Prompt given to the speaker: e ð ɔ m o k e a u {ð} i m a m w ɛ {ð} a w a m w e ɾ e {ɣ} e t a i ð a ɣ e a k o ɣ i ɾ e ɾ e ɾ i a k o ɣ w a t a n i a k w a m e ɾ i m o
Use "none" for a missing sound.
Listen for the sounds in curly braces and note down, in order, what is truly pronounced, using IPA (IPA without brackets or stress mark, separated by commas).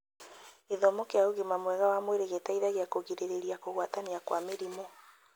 ɣ, ɣ, ɣ